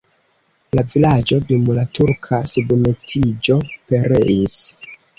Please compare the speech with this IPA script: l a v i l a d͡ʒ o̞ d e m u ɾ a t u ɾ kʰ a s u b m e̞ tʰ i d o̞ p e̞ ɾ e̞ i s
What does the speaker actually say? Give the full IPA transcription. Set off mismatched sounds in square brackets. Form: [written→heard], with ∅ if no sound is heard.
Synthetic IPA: l a v i l a d͡ʒ o̞ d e m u [ɾ→l] a t u ɾ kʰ a s u b m e̞ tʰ i [d→d͡ʒ] o̞ p e̞ ɾ e̞ i s